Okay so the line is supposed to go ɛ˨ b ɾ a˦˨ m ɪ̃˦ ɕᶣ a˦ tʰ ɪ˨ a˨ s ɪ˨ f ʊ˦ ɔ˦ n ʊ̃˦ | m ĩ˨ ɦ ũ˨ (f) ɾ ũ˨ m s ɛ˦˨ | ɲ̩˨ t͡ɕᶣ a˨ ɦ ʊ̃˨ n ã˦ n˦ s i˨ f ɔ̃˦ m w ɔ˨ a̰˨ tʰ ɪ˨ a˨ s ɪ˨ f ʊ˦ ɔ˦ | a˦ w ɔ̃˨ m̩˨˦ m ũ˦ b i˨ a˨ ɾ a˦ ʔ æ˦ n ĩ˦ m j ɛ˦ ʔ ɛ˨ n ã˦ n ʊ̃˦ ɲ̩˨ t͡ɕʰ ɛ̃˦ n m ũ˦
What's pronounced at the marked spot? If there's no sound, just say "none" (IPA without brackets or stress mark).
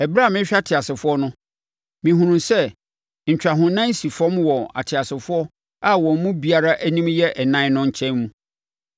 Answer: none